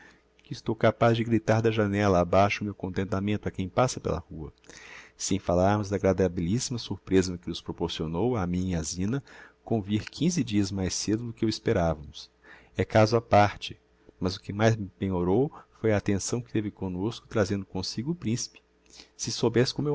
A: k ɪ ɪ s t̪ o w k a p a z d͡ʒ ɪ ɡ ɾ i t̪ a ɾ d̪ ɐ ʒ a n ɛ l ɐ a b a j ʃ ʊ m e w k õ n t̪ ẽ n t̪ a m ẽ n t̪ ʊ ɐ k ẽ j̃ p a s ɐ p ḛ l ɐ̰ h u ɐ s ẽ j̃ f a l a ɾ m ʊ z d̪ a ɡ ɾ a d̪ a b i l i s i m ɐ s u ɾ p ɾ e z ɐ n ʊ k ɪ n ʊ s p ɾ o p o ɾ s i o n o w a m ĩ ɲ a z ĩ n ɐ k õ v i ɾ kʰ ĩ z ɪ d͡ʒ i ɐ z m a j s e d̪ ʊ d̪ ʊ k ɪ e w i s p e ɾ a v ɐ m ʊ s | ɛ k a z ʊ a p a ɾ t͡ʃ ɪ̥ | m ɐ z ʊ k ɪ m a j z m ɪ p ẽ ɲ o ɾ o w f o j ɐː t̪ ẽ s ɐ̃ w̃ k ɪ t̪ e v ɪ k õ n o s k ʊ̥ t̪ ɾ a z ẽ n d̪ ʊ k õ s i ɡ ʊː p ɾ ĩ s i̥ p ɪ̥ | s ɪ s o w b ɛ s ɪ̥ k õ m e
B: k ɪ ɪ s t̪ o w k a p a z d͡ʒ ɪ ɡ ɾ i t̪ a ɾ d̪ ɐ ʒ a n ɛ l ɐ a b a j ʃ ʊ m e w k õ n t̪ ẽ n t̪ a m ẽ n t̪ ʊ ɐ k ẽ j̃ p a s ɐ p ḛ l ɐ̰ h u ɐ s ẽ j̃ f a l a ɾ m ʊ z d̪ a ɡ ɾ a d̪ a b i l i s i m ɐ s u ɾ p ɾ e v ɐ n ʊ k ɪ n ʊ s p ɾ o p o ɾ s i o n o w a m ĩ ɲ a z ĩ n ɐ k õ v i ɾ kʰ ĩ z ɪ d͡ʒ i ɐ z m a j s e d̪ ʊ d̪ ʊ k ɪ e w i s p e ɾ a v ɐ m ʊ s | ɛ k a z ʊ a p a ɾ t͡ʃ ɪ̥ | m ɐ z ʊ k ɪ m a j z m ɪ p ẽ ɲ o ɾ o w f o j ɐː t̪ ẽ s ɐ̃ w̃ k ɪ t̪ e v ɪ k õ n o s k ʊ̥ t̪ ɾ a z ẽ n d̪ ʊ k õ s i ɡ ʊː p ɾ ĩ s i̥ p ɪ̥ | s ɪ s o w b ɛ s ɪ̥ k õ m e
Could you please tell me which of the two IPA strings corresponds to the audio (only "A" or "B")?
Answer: A